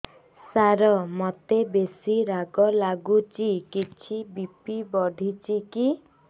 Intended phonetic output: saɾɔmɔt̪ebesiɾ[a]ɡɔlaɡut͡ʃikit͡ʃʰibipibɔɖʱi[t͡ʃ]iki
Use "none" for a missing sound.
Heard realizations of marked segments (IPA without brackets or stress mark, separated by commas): a, t͡ʃ